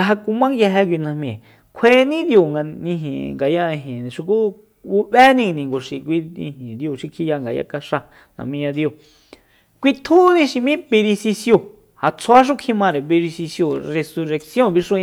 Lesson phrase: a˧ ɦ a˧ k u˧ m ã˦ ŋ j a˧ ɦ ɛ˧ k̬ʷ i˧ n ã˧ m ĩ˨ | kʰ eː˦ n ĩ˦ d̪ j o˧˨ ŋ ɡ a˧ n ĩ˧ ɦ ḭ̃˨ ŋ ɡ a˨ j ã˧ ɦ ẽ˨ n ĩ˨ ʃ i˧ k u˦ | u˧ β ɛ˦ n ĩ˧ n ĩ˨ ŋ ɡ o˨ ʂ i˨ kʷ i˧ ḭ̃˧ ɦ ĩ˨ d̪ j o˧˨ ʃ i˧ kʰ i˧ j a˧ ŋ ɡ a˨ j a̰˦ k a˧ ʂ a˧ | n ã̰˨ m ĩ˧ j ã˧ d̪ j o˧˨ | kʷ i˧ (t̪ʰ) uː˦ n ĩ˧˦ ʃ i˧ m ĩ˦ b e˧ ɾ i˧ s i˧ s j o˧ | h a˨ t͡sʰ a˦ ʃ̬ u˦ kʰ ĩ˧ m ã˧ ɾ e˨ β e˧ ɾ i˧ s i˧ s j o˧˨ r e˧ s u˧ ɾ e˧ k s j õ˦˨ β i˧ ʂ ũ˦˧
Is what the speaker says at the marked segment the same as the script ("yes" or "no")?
yes